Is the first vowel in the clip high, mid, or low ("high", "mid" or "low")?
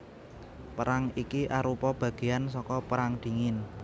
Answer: mid